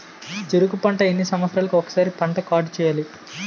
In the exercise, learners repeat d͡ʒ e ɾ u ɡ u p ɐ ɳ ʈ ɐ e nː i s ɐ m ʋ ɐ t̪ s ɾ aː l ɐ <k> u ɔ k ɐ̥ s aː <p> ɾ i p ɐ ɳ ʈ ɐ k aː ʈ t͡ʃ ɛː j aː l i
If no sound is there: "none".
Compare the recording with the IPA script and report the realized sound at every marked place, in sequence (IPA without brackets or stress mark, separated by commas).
k, none